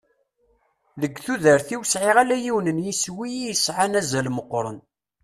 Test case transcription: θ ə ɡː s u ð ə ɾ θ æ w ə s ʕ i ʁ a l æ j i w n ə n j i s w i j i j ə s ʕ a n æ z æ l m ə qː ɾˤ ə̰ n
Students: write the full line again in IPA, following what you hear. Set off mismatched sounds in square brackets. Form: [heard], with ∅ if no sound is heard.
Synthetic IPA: [ð] ə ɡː [θ] u ð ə ɾ θ [i] w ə s ʕ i ʁ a l æ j i w n ə n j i s w i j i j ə s ʕ a n æ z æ l m ə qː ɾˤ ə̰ n